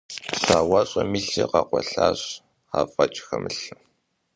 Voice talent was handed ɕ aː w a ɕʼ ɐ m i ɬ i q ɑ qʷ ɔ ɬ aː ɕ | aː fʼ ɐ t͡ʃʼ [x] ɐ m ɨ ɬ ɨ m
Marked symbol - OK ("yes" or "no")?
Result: yes